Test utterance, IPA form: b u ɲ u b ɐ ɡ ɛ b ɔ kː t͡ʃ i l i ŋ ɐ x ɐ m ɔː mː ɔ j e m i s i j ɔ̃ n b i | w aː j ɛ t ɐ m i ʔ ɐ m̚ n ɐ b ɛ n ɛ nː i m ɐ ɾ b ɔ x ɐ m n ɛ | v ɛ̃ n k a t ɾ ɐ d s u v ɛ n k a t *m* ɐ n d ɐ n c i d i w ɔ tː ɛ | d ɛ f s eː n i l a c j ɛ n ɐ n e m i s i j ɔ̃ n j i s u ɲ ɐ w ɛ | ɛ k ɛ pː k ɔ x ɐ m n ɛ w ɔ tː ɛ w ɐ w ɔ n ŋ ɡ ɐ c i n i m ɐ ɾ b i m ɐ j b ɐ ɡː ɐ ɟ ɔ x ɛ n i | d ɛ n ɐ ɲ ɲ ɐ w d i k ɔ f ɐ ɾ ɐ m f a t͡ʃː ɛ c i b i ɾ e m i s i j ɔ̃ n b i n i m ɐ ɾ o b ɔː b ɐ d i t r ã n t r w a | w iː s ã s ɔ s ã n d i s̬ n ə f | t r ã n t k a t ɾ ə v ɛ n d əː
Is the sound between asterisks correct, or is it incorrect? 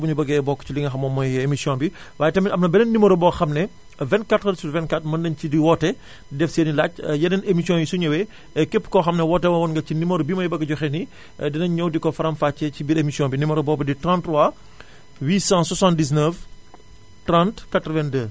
correct